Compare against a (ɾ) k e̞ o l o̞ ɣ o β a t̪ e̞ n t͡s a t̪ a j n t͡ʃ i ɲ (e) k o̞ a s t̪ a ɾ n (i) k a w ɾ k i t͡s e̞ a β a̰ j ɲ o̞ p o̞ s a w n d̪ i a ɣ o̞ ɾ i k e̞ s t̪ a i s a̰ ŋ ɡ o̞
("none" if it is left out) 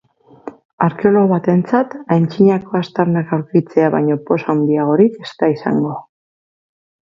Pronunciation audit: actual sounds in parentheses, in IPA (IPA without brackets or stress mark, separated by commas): ɾ, a, a